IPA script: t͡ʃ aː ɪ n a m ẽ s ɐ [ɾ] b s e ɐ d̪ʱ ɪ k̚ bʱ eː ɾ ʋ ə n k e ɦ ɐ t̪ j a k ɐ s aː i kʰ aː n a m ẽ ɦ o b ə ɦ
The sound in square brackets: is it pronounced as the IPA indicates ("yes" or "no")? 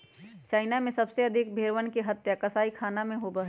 no